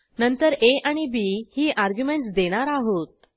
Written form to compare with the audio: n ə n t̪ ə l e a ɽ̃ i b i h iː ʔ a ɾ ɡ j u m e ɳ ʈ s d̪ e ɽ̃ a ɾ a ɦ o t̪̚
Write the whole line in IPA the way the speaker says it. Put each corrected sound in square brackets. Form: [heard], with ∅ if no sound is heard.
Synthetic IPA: n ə n t̪ ə [ɾ] e a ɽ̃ i b i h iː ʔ a ɾ ɡ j u m e ɳ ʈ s d̪ e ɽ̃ a ɾ a ɦ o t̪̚